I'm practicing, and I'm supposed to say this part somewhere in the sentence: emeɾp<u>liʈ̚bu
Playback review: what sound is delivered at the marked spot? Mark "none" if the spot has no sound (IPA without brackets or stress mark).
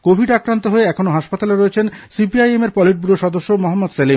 ɔ